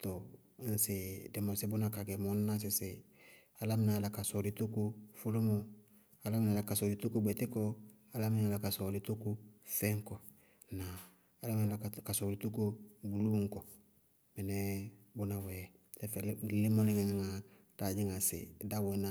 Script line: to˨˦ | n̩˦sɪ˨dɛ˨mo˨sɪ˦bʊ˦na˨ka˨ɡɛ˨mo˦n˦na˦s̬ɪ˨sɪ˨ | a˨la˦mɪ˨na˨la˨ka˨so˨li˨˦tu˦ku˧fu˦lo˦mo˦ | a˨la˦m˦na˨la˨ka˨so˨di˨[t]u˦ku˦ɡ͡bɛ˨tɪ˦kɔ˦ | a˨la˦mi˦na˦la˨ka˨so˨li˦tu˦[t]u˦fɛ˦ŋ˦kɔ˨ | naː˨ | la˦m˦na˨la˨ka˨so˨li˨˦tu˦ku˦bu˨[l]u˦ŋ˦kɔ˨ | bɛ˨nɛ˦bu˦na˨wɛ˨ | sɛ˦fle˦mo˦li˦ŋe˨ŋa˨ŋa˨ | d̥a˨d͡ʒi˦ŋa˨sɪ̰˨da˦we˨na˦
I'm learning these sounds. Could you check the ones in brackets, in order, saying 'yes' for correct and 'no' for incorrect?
yes, no, yes

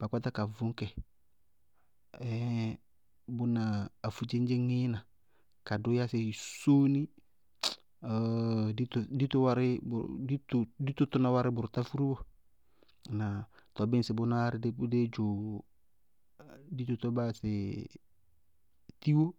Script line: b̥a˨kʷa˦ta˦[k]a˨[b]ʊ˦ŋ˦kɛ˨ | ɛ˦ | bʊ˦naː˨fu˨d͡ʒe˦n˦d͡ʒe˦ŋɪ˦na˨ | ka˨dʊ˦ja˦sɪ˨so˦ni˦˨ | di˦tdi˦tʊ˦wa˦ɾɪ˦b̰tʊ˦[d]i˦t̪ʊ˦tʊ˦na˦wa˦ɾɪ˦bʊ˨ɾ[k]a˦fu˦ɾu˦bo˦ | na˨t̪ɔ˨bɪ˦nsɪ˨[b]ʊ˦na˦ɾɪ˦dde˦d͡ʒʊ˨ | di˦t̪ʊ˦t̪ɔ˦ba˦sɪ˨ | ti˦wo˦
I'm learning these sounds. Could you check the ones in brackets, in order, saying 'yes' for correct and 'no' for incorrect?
yes, no, yes, no, yes

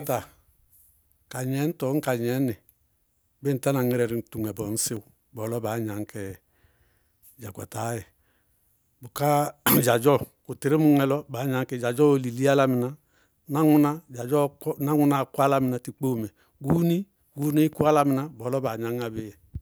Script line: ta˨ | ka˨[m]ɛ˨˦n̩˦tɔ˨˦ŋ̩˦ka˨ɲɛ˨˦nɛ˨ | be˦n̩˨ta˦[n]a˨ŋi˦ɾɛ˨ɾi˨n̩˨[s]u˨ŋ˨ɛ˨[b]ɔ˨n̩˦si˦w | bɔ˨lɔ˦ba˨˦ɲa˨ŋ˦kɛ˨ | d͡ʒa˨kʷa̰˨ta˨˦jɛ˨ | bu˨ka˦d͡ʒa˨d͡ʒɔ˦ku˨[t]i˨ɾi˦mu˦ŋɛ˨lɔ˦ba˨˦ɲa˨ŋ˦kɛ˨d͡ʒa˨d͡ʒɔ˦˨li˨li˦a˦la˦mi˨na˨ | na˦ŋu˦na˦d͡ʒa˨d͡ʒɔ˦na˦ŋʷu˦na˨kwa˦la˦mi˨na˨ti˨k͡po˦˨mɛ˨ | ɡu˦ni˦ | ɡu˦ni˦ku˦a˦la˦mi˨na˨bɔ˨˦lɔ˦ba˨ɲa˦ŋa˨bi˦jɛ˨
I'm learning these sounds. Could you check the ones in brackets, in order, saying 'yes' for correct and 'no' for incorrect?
no, yes, no, yes, yes

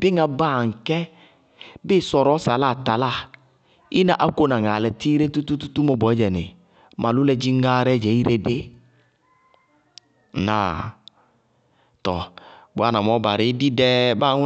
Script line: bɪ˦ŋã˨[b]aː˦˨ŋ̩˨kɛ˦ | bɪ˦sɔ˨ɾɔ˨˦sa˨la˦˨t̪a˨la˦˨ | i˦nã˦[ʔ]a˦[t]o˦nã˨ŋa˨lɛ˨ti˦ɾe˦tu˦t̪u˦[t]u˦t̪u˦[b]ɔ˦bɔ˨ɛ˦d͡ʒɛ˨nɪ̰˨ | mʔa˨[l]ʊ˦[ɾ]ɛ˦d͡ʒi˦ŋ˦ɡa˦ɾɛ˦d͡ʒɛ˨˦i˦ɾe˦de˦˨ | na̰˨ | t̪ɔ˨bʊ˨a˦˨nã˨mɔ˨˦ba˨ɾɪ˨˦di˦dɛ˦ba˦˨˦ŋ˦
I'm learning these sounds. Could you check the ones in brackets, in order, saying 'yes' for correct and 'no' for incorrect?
yes, yes, no, yes, no, yes, no

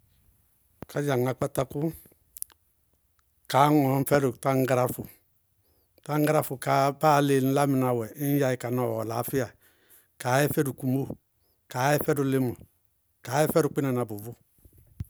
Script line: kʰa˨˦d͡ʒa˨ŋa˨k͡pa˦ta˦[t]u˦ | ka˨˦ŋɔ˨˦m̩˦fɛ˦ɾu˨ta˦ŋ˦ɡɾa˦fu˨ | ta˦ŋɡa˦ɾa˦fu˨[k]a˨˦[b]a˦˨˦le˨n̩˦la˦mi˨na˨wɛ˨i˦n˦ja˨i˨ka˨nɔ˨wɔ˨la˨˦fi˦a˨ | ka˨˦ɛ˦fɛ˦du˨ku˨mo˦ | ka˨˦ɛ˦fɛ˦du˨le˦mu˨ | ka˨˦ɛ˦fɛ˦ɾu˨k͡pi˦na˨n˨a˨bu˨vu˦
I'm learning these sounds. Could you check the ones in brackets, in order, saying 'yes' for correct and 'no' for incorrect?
no, yes, yes

